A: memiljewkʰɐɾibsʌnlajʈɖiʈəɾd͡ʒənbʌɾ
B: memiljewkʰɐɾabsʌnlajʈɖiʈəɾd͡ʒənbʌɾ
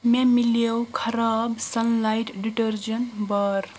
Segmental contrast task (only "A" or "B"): B